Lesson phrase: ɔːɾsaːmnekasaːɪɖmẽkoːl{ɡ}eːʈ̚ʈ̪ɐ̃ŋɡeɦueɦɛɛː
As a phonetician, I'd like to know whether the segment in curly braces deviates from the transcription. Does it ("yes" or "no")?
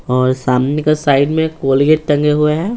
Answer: no